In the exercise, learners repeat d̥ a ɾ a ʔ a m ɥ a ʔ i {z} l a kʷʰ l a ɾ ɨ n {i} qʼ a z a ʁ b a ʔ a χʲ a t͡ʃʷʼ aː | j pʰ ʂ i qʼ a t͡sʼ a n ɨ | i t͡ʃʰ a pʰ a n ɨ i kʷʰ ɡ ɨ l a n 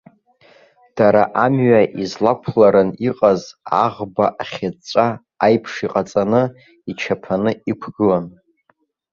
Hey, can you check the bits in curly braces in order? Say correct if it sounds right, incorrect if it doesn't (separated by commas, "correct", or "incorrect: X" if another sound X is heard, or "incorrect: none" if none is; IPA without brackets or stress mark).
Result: correct, correct